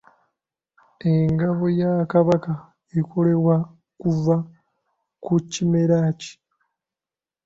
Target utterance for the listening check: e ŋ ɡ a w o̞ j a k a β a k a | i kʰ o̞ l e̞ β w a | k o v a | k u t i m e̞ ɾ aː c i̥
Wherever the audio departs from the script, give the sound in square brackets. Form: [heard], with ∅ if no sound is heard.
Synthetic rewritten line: e ŋ ɡ a [β] o̞ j a k a β a k a | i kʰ o̞ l e̞ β w a | k [u] v a | k u [c] i m e̞ ɾ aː c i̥

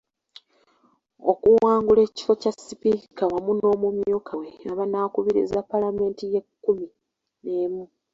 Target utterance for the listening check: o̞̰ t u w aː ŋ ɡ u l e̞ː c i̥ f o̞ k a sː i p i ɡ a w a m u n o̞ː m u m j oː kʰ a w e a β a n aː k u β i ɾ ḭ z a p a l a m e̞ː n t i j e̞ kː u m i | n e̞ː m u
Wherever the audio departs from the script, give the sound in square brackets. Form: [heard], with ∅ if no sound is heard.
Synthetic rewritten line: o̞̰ [k] u w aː ŋ ɡ u l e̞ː c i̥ f o̞ [c] a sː i p i [k] a w a m u n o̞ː m u m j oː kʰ a w e a β a n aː k u β i ɾ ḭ z a p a l a m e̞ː n t i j e̞ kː u m i | n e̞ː m u

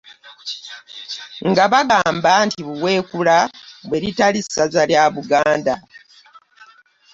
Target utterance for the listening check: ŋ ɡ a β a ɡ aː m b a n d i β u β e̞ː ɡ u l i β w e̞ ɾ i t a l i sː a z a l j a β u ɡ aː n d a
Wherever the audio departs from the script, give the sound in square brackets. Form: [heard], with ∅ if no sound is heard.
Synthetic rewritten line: ŋ ɡ a β a ɡ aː m b a n [t] i β u [w] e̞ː [k] u l [a] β w e̞ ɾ i t a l i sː a z a l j a β u ɡ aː n d a

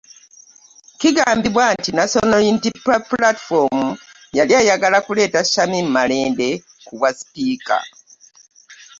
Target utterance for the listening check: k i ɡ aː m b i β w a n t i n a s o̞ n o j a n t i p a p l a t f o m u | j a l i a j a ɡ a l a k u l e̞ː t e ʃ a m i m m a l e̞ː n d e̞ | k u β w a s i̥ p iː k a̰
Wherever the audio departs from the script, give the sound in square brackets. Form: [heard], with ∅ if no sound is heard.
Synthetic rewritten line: k i ɡ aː m b i β w a n t i n a s o̞ n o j [i] n t i p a p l a t f o m u | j a l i a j a ɡ a l a k u l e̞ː t [a] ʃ a m i m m a l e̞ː n d e̞ | k u β w a s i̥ p iː k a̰

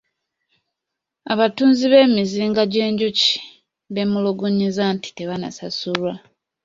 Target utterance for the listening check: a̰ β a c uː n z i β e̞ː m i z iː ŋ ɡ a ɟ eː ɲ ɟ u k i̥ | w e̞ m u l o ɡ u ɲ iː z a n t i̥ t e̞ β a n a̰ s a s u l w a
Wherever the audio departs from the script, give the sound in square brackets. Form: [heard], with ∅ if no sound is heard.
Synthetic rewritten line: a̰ β a [t] uː n z i β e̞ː m i z iː ŋ ɡ a ɟ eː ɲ ɟ u [c] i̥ | [β] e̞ m u l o ɡ u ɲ [i] z a n t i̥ t e̞ β a n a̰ s a s u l w a

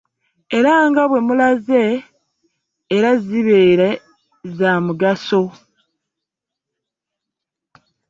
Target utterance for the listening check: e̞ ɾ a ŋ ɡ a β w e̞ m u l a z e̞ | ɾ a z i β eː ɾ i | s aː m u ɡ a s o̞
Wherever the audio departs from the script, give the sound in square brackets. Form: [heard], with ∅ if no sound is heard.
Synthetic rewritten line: e̞ ɾ a ŋ ɡ a β w e̞ m u l a z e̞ | ɾ a z i β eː ɾ [e] | [z] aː m u ɡ a s o̞

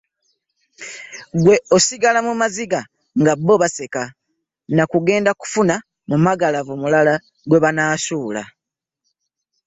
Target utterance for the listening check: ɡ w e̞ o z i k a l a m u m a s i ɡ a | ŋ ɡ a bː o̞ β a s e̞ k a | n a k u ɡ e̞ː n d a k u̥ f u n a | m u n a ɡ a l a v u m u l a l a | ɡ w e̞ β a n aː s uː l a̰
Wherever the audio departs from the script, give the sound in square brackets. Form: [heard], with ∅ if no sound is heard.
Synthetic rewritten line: ɡ w e̞ o [s] i [ɡ] a l a m u m a [z] i ɡ a | ŋ ɡ a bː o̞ β a s e̞ k a | n a k u ɡ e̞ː n d a k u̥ f u n a | m u [m] a ɡ a l a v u m u l a l a | ɡ w e̞ β a n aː s uː l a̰

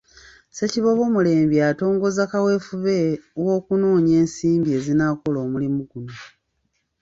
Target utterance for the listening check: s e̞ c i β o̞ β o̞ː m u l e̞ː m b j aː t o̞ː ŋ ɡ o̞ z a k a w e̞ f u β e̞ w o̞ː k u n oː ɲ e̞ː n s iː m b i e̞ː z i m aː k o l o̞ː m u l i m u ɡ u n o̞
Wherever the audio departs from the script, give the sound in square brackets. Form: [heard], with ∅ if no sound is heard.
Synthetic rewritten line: s e̞ c i β o̞ β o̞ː m u l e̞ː m b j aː t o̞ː ŋ ɡ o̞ z a k a w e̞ f u β e̞ w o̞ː k u n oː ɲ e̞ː n s iː m b i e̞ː z i [n] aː k o l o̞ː m u l i m u ɡ u n o̞

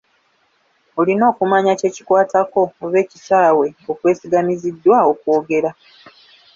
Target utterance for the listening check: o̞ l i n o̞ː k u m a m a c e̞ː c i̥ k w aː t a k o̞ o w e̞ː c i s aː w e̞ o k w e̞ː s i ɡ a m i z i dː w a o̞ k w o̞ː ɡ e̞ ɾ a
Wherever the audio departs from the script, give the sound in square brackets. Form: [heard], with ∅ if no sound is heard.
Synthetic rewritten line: o̞ l i n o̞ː k u m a [ɲ] a c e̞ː c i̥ k w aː t a k o̞ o [β] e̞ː c i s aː w e̞ o k w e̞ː s i ɡ a m i z i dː w a o̞ k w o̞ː ɡ e̞ ɾ a

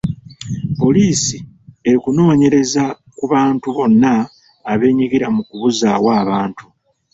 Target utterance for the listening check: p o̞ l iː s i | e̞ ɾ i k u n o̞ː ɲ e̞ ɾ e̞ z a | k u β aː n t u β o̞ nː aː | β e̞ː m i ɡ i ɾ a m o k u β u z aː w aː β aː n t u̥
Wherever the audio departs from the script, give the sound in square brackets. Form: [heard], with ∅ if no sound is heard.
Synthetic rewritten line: p o̞ l iː s i | e̞ ɾ i k u n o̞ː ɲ e̞ ɾ e̞ z a | k u β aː n t u β o̞ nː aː | β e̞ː [ɲ] i ɡ i ɾ a m [u] k u β u z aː w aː β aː n t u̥

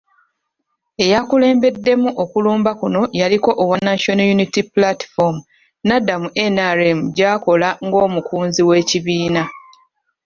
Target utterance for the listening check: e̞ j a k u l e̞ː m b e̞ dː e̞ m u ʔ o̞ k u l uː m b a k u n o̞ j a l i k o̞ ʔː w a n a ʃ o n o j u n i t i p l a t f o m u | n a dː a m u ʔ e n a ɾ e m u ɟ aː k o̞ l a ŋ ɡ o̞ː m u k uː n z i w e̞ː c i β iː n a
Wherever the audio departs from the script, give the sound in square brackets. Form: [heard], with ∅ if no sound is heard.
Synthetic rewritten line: e̞ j a k u l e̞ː m b e̞ dː e̞ m u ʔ o̞ k u l uː m b a k u n o̞ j a l i k o̞ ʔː w a n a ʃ o n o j u n i t i p l a t f o m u | n a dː a m u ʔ e n a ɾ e m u ɟ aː k o̞ l a ŋ ɡ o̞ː m u k uː n z i w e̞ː c i β iː n a

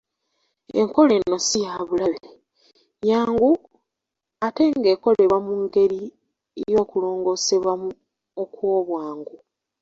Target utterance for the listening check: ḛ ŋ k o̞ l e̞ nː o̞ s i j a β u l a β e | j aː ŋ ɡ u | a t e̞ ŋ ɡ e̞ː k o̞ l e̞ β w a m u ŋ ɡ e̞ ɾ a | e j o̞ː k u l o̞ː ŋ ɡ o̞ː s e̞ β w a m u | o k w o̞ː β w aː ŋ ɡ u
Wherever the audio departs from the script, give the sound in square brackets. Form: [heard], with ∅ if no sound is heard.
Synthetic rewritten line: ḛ ŋ k o̞ l e̞ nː o̞ s i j a β u l a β e | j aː ŋ ɡ u | a t e̞ ŋ ɡ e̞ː k o̞ l e̞ β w a m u ŋ ɡ e̞ ɾ [i] | e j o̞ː k u l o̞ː ŋ ɡ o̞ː s e̞ β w a m u | o k w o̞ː β w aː ŋ ɡ u

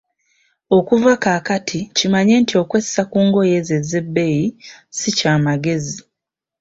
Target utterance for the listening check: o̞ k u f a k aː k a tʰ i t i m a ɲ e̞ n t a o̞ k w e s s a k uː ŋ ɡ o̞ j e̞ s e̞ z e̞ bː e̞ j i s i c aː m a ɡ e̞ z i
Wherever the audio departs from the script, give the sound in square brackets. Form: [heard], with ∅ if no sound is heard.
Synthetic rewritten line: o̞ k u [v] a k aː k a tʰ i [c] i m a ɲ e̞ n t [i] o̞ k w e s s a k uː ŋ ɡ o̞ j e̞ [z] e̞ z e̞ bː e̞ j i s i c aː m a ɡ e̞ z i

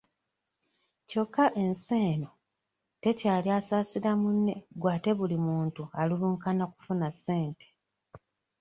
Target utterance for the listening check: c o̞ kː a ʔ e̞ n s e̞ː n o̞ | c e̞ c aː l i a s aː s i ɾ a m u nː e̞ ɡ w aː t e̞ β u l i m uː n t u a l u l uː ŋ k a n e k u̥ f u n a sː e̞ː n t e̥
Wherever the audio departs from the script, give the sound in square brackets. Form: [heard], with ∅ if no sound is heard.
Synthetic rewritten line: c o̞ kː a ʔ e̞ n s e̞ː n o̞ | [t] e̞ c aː l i a s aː s i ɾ a m u nː e̞ ɡ w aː t e̞ β u l i m uː n t u a l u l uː ŋ k a n [a] k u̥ f u n a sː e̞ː n t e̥

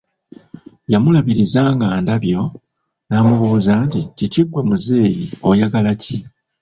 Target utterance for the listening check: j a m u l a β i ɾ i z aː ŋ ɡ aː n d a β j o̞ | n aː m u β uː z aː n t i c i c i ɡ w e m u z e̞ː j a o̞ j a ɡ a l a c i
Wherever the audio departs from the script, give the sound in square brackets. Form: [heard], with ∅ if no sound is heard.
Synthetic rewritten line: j a m u l a β i ɾ i z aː ŋ ɡ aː n d a β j o̞ | n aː m u β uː z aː n t i c i c i ɡ w e m u z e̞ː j [i] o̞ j a ɡ a l a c i

